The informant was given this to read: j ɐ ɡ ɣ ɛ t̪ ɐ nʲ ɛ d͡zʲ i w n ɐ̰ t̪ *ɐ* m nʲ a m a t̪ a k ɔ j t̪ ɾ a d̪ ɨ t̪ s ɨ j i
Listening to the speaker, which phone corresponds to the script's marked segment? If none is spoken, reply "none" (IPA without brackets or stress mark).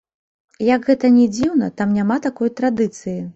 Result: a